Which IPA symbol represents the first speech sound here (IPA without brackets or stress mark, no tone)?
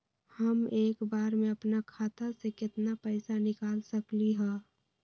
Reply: h